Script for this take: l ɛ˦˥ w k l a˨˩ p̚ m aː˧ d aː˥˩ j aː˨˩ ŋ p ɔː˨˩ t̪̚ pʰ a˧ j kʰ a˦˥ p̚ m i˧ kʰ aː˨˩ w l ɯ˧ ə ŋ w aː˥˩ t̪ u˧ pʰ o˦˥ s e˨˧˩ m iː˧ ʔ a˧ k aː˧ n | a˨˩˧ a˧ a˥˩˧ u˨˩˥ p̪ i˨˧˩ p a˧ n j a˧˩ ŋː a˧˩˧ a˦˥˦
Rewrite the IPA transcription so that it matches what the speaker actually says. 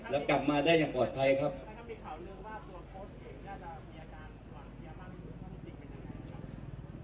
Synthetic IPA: l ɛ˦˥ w k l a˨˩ p̚ m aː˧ d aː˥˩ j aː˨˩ ŋ p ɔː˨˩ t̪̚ pʰ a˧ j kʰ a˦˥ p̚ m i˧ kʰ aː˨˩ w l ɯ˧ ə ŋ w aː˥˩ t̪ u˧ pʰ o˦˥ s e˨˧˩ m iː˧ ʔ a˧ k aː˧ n | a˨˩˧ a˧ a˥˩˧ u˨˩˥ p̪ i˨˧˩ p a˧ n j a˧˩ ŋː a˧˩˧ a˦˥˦